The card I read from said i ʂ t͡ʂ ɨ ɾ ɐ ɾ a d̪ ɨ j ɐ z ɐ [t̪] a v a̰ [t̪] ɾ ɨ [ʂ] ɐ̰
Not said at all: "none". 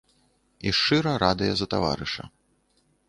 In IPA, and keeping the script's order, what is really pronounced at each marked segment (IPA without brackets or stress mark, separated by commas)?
t̪, none, ʂ